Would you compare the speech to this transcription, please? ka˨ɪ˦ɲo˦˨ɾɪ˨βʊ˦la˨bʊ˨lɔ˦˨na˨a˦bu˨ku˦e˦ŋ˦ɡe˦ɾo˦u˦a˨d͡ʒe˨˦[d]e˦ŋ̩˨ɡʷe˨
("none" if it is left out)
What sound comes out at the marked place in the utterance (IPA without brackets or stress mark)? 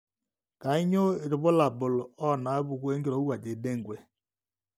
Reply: d